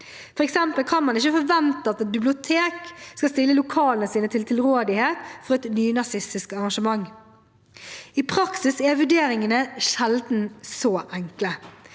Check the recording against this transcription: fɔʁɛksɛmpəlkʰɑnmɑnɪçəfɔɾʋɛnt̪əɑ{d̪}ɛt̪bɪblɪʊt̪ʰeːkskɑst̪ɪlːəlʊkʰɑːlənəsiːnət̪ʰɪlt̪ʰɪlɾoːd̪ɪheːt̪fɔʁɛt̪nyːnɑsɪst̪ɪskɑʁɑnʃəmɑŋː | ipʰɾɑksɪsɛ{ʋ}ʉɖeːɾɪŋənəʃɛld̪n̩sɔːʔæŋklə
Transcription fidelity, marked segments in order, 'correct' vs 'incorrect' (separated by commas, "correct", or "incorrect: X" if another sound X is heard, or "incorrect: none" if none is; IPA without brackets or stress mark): incorrect: t̪, correct